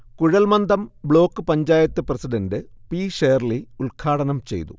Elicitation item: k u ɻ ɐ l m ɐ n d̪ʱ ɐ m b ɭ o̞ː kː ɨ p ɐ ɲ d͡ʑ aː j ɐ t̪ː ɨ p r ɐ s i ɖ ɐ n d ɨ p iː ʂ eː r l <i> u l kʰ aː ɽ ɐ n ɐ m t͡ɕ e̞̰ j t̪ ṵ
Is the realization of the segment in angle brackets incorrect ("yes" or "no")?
no